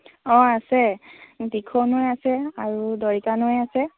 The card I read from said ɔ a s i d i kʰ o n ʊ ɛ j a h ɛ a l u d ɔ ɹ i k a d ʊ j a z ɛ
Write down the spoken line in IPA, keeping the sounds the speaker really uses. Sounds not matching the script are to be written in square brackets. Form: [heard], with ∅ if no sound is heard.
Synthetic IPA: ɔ a s [ɛ] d i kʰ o n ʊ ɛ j a [s] ɛ a [ɹ] u d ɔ ɹ i k a [n] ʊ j a [s] ɛ